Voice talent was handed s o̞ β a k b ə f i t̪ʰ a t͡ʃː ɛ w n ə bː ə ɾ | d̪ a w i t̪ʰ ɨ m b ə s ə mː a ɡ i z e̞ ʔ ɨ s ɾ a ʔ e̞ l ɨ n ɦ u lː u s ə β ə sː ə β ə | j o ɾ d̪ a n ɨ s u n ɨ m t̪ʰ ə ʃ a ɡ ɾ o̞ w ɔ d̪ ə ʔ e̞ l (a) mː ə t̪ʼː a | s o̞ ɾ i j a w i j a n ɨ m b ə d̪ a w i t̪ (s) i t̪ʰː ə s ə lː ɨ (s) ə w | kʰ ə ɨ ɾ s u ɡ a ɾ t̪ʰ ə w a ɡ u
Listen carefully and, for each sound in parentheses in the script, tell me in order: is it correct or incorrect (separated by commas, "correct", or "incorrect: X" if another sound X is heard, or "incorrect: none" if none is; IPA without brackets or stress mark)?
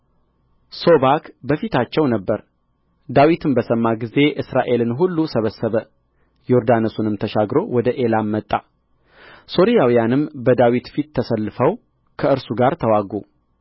correct, incorrect: f, incorrect: f